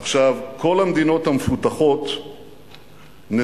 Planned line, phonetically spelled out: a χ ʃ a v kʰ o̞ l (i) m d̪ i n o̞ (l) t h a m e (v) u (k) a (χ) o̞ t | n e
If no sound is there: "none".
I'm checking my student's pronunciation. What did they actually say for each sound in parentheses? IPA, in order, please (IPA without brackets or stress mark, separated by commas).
a, none, f, t, χ